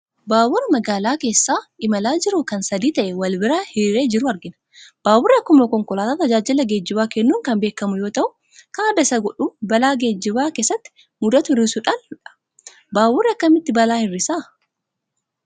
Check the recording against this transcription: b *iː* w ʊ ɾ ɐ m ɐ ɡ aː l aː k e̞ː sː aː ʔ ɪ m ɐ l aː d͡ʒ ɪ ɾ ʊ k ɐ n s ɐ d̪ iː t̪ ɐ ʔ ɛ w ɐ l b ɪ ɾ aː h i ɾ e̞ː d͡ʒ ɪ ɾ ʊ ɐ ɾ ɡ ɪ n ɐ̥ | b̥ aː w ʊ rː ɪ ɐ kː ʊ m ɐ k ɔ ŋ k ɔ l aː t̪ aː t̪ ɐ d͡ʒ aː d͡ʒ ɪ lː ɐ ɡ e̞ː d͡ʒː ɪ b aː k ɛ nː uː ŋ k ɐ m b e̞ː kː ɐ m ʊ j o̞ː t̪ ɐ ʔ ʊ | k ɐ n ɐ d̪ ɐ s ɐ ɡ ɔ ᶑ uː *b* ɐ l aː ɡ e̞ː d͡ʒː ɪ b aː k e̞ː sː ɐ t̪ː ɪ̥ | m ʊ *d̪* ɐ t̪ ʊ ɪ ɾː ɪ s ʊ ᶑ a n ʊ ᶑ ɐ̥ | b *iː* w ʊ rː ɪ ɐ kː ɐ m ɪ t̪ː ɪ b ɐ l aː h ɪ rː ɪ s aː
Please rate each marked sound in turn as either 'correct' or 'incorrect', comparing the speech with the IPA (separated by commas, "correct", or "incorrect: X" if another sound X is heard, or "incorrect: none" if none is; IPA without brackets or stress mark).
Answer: incorrect: aː, correct, correct, incorrect: aː